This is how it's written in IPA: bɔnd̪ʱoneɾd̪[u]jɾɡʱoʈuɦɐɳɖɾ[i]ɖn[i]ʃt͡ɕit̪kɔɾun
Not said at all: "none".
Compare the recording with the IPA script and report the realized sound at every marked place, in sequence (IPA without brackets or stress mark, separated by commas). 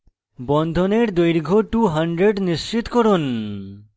o, e, i